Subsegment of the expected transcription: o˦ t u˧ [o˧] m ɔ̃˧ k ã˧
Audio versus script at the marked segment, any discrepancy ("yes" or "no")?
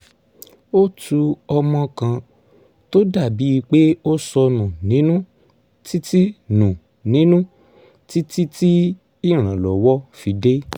yes